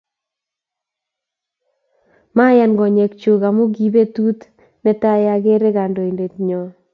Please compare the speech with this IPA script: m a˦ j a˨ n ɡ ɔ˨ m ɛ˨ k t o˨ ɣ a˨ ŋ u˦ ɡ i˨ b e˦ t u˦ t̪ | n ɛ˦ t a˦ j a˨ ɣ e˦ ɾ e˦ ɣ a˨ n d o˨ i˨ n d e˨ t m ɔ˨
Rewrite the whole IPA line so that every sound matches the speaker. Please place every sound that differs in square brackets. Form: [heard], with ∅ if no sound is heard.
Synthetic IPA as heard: m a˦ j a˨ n ɡ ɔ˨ [ɲ] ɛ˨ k [t͡ʃ] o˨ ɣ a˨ [m] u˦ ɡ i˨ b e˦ t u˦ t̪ | n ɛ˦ t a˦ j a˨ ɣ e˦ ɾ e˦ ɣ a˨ n d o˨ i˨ n d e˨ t [ɲ] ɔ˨

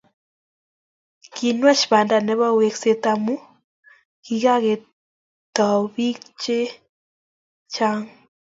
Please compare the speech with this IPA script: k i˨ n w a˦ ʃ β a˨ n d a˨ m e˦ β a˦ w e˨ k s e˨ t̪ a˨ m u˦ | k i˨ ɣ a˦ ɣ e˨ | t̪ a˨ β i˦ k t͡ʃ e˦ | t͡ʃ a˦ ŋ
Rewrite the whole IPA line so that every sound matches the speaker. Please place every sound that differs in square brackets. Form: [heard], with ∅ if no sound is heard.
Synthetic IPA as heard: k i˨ n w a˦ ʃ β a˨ n d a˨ [n] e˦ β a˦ w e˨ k s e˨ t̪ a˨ m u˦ | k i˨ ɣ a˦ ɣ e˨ | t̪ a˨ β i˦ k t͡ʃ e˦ | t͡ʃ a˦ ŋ

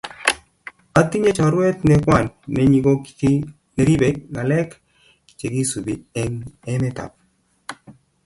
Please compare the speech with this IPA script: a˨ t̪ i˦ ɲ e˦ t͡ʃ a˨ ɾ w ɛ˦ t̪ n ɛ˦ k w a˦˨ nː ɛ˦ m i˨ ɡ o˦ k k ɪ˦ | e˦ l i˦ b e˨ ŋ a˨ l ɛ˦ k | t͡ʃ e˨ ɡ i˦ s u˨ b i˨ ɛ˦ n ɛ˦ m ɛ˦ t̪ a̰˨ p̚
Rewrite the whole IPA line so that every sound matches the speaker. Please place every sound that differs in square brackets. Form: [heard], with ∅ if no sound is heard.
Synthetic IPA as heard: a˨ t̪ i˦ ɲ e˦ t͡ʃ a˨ ɾ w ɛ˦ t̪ n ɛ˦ k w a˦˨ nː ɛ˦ [ɲ] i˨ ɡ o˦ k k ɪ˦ | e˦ [ɾ] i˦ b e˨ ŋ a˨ l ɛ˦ k | t͡ʃ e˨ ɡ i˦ s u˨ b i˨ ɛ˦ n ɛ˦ m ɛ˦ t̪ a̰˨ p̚

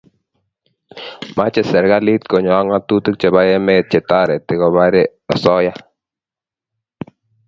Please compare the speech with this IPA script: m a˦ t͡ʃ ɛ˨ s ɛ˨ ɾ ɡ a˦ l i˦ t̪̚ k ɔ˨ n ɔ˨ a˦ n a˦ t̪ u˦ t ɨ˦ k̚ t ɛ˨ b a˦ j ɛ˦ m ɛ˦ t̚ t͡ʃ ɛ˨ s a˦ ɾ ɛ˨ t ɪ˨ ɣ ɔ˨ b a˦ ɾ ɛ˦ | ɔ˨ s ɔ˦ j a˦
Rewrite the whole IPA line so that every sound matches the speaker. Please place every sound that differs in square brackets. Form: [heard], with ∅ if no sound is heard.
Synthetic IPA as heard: m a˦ t͡ʃ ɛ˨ s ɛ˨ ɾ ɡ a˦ l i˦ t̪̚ k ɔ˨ [ɲ] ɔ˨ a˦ [ŋ] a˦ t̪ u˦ t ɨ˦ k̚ [t͡ʃ] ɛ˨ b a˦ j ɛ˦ m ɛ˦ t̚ t͡ʃ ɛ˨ [t] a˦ ɾ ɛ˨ t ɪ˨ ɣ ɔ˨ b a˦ ɾ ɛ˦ | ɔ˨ s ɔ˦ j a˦

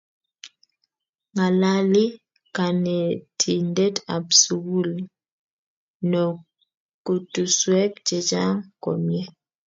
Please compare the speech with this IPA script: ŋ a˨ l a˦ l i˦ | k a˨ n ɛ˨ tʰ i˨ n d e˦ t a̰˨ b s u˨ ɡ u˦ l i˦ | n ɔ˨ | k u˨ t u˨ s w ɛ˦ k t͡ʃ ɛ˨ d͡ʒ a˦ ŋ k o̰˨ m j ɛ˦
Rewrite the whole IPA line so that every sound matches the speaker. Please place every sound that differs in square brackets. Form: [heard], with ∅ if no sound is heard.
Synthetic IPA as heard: ŋ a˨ l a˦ l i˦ | k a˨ n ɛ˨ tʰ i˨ n d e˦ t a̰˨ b s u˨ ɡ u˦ l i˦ | n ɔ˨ | k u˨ t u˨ s w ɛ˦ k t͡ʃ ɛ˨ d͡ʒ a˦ ŋ k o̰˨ m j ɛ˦

